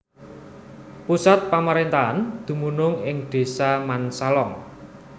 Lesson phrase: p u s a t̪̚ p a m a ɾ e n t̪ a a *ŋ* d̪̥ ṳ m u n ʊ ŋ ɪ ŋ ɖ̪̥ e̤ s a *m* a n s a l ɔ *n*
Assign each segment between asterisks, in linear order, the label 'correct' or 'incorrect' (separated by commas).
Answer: incorrect, correct, incorrect